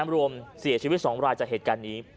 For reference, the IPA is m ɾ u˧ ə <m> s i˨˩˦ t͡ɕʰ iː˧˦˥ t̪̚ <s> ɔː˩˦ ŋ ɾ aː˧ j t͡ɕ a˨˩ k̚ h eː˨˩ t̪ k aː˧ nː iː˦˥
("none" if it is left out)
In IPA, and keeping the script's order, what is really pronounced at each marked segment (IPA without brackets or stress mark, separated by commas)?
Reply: m, s